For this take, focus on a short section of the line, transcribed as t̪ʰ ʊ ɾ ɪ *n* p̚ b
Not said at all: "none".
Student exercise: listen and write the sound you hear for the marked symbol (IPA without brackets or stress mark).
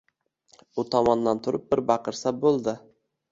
none